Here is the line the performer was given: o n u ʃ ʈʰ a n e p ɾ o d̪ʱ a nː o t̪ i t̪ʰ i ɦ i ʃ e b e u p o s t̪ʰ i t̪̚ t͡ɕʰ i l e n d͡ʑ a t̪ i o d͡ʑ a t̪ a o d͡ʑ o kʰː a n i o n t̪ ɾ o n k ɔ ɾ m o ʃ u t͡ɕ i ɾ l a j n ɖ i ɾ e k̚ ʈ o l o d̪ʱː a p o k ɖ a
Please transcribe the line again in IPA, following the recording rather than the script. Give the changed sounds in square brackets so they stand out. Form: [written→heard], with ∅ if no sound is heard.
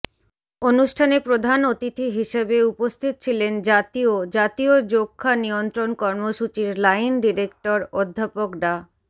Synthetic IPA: o n u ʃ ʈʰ a n e p ɾ o d̪ʱ a [nː→n] o t̪ i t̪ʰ i ɦ i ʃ e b e u p o s t̪ʰ i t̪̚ t͡ɕʰ i l e n d͡ʑ a t̪ i o d͡ʑ a t̪ [a→i] o d͡ʑ o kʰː a n i o n t̪ ɾ o n k ɔ ɾ m o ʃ u t͡ɕ i ɾ l a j n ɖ i ɾ e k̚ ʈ o [l→ɾ] o d̪ʱː a p o k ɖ a